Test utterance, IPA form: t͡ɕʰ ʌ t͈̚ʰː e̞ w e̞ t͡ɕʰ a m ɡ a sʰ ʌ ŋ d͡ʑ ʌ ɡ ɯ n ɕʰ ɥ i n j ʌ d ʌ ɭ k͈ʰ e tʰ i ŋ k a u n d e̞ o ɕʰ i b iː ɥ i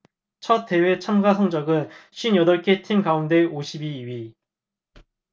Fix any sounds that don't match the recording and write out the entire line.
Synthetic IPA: t͡ɕʰ ʌ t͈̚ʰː e̞ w e̞ t͡ɕʰ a m ɡ a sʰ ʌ ŋ d͡ʑ ʌ ɡ ɯ n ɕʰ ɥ i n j ʌ d ʌ ɭ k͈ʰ e tʰ i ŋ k a u n d e̞ o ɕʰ i b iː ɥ i

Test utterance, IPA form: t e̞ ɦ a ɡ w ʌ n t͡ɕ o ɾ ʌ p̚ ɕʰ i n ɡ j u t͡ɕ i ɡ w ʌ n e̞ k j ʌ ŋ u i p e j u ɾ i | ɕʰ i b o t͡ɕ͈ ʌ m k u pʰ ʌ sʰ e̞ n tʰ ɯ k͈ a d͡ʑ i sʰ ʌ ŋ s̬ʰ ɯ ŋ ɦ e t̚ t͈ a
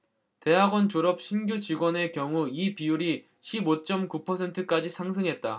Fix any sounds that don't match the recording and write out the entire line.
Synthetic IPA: t e̞ ɦ a ɡ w ʌ n t͡ɕ o ɾ ʌ p̚ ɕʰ i n ɡ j u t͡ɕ i ɡ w ʌ n e̞ k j ʌ ŋ u i p i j u ɾ i | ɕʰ i b o t͡ɕ͈ ʌ m k u pʰ ʌ sʰ e̞ n tʰ ɯ k͈ a d͡ʑ i sʰ a ŋ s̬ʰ ɯ ŋ ɦ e t̚ t͈ a

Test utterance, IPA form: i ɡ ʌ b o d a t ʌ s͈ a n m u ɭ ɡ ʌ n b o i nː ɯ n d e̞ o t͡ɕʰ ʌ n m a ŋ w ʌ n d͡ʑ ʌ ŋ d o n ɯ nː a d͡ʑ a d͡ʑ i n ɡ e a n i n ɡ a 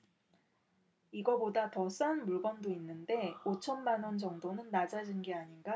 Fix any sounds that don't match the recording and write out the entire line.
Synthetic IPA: i ɡ ʌ b o d a t ʌ s͈ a n m u ɭ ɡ ʌ n d o i nː ɯ n d e̞ o t͡ɕʰ ʌ n m a n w ʌ n d͡ʑ ʌ ŋ d o n ɯ nː a d͡ʑ a d͡ʑ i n ɡ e a ɲ i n ɡ a

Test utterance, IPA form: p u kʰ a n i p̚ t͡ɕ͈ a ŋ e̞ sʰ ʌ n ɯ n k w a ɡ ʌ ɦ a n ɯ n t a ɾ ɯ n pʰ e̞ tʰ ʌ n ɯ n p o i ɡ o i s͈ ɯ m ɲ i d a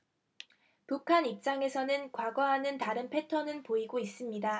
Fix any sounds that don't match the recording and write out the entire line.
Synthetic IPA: p u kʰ a n i p̚ t͡ɕ͈ a ŋ e̞ sʰ ʌ n ɯ n k w a ɡ ʌ ɦ a n ɯ n t a ɾ ɯ n pʰ e̞ tʰ ʌ n ɯ n p o i ɡ o i s͈ ɯ m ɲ i d a

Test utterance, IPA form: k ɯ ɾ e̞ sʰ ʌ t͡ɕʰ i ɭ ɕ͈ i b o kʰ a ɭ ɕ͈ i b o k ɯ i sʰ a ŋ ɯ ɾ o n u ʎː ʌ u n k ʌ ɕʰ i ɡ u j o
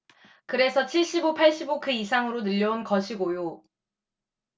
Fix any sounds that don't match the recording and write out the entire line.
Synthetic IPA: k ɯ ɾ e̞ sʰ ʌ t͡ɕʰ i ɭ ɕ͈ i b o pʰ a ɭ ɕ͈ i b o k ɯ i sʰ a ŋ ɯ ɾ o n ɯ ʎː ʌ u n k ʌ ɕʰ i ɡ o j o

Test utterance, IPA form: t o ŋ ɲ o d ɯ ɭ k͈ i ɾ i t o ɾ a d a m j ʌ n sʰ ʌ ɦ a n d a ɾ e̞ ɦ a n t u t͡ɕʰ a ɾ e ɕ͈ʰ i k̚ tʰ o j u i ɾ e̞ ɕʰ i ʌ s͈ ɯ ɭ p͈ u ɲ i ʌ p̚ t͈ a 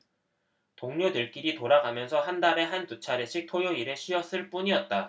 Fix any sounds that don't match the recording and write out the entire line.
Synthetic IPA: t o ŋ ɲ o d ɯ ɭ k͈ i ɾ i t o ɾ a ɡ a m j ʌ n sʰ ʌ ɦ a n d a ɾ e̞ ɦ a n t u t͡ɕʰ a ɾ e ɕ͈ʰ i k̚ tʰ o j o i ɾ e̞ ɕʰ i ʌ s͈ ɯ ɭ p͈ u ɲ i ʌ t̚ t͈ a

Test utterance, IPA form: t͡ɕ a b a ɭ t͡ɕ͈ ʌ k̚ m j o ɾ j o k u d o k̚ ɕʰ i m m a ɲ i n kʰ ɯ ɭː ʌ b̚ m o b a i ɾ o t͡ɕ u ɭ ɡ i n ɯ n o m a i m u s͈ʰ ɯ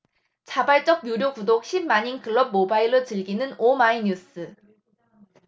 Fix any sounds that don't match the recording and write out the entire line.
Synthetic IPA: t͡ɕ a b a ɭ t͡ɕ͈ ʌ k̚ m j u ɾ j o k u d o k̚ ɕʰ i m m a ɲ i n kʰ ɯ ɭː ʌ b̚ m o b a i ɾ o t͡ɕ ɯ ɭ ɡ i n ɯ n o m a i ɲ u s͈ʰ ɯ

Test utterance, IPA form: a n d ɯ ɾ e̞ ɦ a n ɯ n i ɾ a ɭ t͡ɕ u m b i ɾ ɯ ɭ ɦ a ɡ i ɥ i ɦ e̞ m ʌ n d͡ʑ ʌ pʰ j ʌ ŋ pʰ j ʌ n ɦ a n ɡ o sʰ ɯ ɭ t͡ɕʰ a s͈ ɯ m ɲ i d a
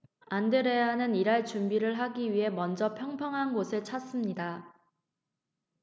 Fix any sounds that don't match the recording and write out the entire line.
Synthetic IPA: a n d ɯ ɾ e̞ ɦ a n ɯ n i ɾ a ɭ t͡ɕ u m b i ɾ ɯ ɭ ɦ a ɡ i ɥ i ɦ e̞ m ʌ n d͡ʑ ʌ pʰ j ʌ ŋ pʰ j ʌ ŋ ɦ a n ɡ o sʰ ɯ ɭ t͡ɕʰ a s͈ ɯ m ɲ i d a

